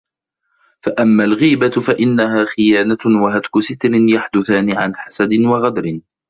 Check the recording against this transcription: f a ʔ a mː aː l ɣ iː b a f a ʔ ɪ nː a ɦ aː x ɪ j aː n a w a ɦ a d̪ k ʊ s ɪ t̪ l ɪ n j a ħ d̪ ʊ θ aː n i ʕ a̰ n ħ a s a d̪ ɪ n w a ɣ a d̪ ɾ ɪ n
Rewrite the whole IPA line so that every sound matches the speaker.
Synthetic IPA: f a ʔ a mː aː l ɣ iː b a f a ʔ ɪ nː a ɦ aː x ɪ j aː n a w a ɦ a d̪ k ʊ s ɪ t̪ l ɪ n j a ħ d̪ ʊ θ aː n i ʕ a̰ n ħ a s a d̪ ɪ n w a ɣ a d̪ ɾ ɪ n